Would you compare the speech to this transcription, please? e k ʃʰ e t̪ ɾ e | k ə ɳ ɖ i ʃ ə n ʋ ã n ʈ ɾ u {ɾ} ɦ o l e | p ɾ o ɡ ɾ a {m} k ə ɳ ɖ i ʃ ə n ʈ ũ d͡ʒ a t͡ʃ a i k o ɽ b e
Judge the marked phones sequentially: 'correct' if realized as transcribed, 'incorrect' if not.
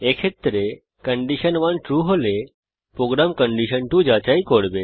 incorrect: none, correct

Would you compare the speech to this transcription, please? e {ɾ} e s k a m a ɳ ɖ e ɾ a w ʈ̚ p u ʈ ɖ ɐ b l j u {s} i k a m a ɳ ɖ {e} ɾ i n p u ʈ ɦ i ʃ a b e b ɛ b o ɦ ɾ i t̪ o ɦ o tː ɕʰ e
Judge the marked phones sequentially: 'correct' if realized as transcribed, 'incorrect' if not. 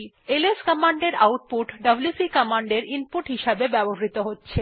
incorrect: l, correct, correct

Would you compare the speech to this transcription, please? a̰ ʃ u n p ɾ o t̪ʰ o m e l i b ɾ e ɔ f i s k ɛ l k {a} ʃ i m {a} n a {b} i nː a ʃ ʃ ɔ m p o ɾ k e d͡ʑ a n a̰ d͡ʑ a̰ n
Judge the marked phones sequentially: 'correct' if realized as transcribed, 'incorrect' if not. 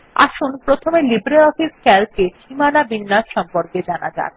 incorrect: e, correct, correct

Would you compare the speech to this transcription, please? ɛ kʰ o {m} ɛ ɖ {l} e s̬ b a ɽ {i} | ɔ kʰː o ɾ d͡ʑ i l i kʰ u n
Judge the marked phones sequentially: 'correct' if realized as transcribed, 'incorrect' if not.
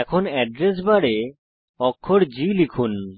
incorrect: n, incorrect: ɾ, incorrect: e

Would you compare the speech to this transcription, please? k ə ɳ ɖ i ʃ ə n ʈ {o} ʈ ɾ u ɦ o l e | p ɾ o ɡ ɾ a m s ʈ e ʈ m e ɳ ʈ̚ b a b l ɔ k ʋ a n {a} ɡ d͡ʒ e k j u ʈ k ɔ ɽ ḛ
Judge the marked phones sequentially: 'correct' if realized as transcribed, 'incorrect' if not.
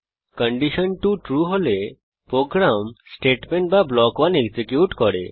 incorrect: u, incorrect: e

